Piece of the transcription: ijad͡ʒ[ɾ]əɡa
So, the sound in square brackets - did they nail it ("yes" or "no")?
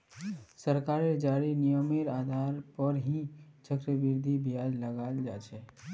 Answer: no